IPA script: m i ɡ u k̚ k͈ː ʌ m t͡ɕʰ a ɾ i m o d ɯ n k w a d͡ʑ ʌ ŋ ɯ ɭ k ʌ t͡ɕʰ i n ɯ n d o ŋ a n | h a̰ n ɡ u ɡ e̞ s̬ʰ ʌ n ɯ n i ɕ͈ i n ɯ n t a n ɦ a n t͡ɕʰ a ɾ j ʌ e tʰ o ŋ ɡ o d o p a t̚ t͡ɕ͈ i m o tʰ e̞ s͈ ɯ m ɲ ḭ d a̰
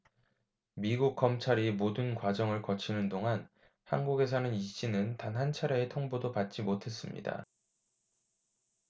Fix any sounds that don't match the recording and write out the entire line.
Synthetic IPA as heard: m i ɡ u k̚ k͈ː ʌ m t͡ɕʰ a ɾ i m o d ɯ n k w a d͡ʑ ʌ ŋ ɯ ɭ k ʌ t͡ɕʰ i n ɯ n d o ŋ a n | h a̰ n ɡ u ɡ e̞ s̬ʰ ʌ n ɯ n i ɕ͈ i n ɯ n t a n ɦ a n t͡ɕʰ a ɾ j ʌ e tʰ o ŋ b o d o p a t̚ t͡ɕ͈ i m o tʰ e̞ s͈ ɯ m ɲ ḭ d a̰